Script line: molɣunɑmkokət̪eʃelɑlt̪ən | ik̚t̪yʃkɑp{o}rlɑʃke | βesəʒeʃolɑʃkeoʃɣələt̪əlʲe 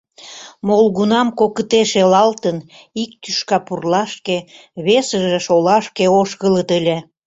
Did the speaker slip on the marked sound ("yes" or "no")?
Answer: yes